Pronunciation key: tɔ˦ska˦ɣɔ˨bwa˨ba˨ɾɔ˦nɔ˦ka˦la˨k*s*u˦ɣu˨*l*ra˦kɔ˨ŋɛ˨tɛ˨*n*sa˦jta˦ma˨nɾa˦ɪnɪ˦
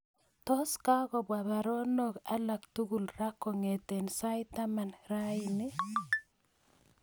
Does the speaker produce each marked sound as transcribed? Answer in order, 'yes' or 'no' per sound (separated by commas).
no, yes, yes